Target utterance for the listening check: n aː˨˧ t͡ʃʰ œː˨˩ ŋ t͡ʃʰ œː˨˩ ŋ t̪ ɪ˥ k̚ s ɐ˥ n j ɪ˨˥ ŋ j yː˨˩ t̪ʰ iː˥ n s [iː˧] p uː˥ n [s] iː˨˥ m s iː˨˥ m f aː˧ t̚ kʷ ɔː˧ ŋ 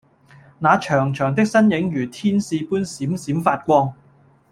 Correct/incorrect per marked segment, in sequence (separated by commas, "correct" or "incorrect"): correct, correct